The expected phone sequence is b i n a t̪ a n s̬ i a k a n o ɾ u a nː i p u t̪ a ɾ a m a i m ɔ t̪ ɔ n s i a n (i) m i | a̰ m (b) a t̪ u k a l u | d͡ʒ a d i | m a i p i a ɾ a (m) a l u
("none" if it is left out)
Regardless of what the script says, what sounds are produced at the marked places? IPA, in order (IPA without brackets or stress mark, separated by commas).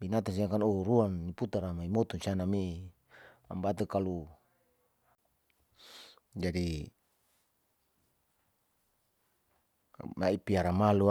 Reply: a, b, m